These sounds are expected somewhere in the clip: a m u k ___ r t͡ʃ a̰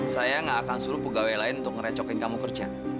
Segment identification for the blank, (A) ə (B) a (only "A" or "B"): A